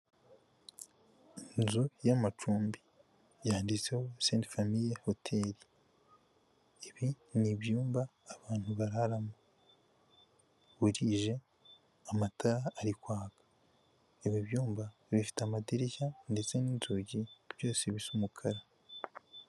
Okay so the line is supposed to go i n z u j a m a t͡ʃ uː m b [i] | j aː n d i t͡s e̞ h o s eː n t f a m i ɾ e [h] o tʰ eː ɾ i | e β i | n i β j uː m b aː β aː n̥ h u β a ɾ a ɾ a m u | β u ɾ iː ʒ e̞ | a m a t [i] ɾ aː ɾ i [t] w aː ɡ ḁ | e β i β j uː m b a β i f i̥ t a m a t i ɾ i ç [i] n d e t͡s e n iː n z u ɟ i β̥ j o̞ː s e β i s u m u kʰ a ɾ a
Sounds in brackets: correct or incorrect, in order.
correct, correct, incorrect: a, incorrect: k, incorrect: a

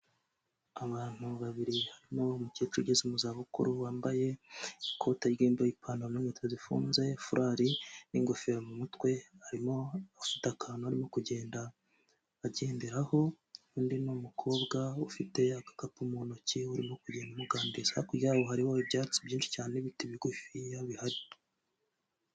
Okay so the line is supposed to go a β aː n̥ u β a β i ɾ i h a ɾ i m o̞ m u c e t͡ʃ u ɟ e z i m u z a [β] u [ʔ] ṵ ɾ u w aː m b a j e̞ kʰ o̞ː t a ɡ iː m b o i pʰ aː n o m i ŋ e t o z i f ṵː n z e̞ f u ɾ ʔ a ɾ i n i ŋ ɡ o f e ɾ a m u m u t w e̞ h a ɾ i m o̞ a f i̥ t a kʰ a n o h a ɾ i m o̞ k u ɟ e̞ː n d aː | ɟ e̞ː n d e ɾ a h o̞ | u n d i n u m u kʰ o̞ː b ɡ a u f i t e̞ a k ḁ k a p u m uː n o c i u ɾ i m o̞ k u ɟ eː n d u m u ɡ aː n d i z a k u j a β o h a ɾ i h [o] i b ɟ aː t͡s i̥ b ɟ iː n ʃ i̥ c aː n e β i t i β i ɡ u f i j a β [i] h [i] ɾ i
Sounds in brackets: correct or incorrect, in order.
correct, incorrect: k, correct, correct, incorrect: a

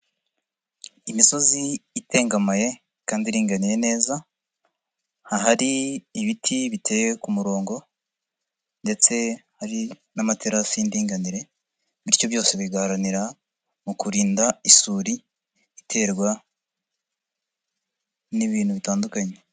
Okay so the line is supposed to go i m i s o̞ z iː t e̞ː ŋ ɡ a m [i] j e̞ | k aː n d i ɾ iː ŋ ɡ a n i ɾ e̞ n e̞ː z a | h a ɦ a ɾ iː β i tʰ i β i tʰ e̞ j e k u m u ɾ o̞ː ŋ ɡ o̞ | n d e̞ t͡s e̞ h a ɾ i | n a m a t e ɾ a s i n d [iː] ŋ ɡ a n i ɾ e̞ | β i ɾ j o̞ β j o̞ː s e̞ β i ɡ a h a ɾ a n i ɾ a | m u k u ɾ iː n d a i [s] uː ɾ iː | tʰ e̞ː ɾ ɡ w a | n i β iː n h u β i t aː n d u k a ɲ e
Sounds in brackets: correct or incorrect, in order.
incorrect: a, correct, correct

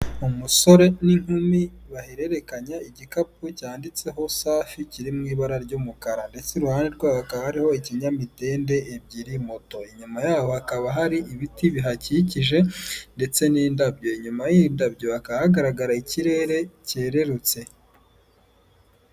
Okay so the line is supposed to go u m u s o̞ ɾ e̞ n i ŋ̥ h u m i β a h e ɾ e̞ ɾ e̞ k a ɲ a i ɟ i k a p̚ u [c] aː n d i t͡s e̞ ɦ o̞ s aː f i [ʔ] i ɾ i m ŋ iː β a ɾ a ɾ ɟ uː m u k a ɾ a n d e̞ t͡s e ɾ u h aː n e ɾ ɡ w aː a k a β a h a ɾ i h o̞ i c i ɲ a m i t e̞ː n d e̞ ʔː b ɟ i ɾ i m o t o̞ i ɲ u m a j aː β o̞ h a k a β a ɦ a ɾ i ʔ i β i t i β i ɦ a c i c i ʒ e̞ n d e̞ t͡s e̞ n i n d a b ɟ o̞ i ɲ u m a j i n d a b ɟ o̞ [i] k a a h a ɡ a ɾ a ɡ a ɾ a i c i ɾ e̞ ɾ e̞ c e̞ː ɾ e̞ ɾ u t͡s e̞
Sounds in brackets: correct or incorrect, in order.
correct, incorrect: c, incorrect: a

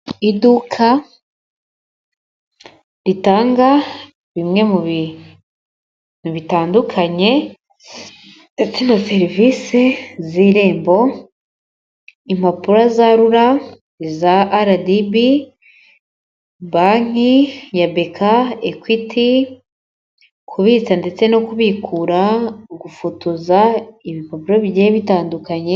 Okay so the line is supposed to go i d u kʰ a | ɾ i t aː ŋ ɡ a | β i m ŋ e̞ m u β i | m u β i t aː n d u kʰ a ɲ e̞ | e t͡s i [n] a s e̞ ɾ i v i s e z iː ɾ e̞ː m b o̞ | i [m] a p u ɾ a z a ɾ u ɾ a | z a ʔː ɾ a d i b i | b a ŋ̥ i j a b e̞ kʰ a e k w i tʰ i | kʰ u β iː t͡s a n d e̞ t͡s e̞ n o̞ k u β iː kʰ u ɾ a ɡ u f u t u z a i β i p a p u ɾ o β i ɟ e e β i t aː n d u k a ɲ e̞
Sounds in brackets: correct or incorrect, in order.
correct, correct

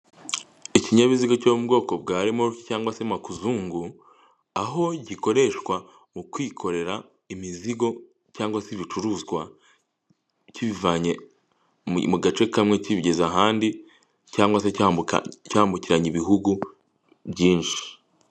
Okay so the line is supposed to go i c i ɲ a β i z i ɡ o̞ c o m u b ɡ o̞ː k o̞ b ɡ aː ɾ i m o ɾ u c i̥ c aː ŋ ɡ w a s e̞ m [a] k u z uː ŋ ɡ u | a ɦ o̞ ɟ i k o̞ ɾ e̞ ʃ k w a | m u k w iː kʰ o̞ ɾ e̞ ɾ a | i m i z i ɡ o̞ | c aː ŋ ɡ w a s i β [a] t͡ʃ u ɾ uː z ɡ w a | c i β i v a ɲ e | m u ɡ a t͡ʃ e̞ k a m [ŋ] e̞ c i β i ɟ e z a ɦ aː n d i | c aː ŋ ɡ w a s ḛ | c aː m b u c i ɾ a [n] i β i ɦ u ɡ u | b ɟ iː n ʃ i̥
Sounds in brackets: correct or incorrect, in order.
correct, incorrect: i, correct, incorrect: ɲ

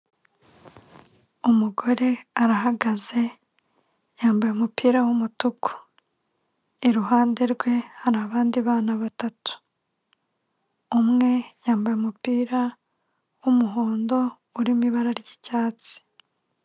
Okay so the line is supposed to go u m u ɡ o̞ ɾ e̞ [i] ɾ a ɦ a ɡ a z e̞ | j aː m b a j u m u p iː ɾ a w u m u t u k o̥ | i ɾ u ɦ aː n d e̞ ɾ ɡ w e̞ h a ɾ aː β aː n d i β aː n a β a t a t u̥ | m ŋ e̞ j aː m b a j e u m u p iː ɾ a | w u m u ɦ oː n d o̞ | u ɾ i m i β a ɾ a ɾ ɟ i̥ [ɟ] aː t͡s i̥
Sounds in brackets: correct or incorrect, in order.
incorrect: a, incorrect: c

